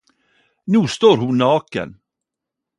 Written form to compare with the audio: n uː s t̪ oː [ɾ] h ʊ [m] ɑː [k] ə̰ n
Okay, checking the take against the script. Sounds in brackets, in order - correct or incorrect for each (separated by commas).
correct, incorrect, correct